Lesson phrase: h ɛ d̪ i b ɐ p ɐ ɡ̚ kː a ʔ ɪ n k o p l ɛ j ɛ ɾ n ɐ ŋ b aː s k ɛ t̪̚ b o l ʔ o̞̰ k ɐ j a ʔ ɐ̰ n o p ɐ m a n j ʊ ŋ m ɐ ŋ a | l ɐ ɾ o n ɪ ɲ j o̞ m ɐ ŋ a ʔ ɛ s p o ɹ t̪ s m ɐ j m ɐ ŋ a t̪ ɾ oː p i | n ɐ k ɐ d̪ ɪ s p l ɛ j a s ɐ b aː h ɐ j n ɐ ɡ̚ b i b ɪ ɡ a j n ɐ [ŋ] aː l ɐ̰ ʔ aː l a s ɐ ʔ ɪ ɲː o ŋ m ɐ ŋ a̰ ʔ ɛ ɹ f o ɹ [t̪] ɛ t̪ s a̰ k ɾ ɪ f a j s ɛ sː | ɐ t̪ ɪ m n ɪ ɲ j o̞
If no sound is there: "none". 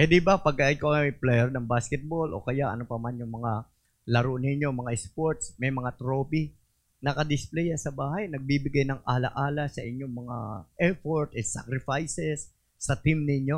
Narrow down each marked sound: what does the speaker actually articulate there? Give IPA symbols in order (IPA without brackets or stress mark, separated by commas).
ŋ, t̪